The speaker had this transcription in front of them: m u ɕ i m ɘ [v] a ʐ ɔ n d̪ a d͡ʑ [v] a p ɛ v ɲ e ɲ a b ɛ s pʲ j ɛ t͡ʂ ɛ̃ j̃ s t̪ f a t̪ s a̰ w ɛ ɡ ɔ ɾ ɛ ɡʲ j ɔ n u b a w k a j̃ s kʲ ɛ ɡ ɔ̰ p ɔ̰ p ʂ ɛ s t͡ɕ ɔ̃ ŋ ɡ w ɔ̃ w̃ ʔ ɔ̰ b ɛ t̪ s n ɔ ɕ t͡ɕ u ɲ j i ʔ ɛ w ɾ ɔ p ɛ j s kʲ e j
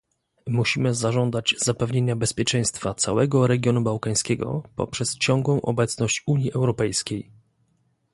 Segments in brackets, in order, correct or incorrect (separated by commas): incorrect, incorrect